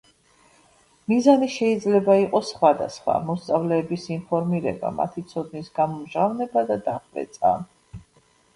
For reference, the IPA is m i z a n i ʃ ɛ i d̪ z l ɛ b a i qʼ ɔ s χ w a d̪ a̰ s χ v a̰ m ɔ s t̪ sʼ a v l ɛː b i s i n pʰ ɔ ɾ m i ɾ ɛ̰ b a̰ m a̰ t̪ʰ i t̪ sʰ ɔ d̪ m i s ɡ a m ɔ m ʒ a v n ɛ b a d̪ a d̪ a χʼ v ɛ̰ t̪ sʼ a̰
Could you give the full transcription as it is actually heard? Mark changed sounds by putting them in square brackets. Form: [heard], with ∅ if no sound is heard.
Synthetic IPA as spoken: m i z a n i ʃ ɛ i d̪ z l ɛ b a i qʼ ɔ s χ w a d̪ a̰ s χ [w] a̰ m ɔ s t̪ sʼ a v l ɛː b i s i n pʰ ɔ ɾ m i ɾ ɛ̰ b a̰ m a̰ t̪ʰ i t̪ sʰ ɔ d̪ [n] i s ɡ a m ɔ m ʒ a v n ɛ b a d̪ a d̪ a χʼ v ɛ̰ t̪ sʼ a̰